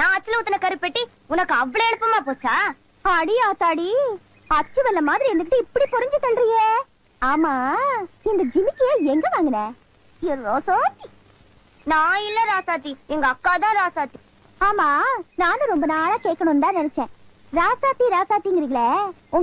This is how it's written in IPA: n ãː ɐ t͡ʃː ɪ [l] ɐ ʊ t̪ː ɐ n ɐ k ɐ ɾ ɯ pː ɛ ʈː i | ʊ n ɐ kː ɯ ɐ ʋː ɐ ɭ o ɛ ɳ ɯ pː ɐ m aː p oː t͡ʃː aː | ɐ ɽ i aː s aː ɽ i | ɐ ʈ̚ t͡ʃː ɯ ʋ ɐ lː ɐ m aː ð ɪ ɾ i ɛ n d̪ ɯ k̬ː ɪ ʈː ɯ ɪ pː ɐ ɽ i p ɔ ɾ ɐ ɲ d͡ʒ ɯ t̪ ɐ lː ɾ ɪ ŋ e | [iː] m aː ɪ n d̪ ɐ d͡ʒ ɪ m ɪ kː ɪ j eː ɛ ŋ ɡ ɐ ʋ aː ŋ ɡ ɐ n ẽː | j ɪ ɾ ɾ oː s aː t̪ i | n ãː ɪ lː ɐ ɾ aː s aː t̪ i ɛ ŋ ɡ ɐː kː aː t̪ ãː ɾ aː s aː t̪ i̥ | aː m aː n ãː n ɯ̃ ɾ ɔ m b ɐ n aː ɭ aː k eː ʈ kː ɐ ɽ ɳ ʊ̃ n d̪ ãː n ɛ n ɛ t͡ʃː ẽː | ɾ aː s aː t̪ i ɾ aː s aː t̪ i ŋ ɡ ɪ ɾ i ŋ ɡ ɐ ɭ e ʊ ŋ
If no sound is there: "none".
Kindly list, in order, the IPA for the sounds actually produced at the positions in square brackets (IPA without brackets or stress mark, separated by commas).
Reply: l, aː